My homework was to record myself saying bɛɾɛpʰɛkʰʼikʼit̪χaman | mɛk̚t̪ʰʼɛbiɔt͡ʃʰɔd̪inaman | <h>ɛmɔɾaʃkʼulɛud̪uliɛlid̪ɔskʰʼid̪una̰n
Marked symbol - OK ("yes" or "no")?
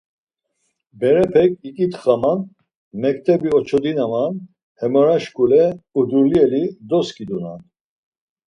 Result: yes